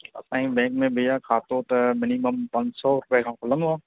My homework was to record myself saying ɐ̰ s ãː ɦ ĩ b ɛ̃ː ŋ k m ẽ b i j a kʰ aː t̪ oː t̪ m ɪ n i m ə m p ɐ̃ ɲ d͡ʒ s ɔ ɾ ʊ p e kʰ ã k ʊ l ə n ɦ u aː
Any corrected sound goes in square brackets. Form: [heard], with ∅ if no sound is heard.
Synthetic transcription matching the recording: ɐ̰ s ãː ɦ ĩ b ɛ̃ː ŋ k m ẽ b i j a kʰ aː t̪ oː t̪ m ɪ n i m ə m p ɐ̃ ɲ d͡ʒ s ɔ ɾ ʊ p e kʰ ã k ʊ l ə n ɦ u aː